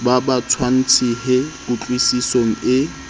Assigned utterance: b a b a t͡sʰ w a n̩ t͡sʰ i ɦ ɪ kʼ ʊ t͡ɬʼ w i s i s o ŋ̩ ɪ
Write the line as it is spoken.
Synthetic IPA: b a b a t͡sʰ w a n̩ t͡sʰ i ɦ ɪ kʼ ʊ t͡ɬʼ w i s i s o ŋ̩ ɪ